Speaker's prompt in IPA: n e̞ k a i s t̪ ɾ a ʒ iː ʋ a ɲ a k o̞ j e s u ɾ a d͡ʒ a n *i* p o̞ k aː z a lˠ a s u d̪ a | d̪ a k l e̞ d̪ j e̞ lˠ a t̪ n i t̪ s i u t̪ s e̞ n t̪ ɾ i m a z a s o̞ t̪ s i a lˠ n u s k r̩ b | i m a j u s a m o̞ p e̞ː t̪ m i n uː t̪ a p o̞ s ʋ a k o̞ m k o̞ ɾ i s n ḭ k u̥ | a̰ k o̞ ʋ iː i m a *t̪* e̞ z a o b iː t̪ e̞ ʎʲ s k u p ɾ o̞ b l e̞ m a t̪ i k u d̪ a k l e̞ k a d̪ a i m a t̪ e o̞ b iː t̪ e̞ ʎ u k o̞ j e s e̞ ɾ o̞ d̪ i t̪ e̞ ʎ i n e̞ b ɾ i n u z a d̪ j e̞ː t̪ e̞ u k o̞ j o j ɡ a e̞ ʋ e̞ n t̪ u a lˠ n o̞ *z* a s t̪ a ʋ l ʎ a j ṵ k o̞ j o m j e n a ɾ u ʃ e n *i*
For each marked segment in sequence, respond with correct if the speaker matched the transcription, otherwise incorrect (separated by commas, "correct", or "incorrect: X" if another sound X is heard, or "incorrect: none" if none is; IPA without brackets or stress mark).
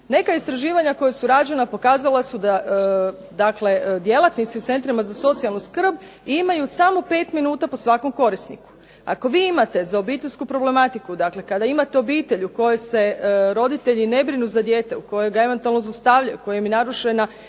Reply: incorrect: a, correct, correct, incorrect: a